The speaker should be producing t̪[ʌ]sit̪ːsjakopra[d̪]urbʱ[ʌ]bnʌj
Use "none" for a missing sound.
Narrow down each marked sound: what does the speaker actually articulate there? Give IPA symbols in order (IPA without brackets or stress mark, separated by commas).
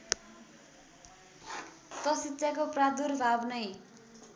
ʌ, d̪, a